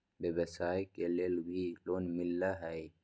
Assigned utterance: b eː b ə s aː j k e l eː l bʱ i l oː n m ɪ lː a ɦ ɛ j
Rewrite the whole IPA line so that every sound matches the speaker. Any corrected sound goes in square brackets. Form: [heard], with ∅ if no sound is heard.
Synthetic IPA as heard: b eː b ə s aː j k e l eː l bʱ i l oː n m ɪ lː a ɦ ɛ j